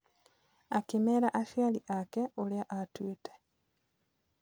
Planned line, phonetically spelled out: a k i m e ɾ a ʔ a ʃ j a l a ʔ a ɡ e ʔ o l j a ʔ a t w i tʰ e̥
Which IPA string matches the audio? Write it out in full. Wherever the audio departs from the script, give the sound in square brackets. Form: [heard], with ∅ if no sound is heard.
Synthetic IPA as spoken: a k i m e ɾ a ʔ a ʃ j a l [i] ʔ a [k] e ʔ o l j a ʔ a t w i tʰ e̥